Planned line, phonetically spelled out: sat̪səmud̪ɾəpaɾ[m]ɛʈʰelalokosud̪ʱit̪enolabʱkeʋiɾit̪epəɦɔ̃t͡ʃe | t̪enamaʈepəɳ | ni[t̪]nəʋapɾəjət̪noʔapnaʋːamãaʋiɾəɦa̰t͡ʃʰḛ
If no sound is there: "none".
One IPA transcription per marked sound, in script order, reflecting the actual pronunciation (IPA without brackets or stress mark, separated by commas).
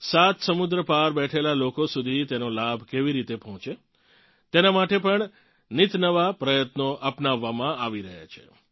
b, t̪